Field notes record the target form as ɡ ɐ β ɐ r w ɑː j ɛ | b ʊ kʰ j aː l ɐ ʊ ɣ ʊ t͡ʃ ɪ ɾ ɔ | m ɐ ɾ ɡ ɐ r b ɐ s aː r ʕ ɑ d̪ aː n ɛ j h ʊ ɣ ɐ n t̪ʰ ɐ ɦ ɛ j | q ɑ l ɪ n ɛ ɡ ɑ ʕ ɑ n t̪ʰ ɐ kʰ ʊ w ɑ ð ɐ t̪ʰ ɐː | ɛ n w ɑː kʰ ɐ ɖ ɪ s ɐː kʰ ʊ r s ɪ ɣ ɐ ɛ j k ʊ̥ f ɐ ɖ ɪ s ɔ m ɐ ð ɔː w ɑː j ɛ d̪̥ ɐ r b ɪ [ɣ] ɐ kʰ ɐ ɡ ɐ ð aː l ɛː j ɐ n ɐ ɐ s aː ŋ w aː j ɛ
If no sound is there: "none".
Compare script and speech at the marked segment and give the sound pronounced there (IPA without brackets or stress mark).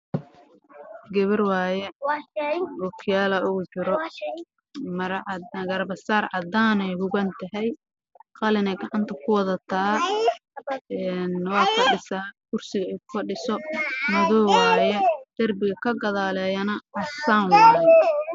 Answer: ɣ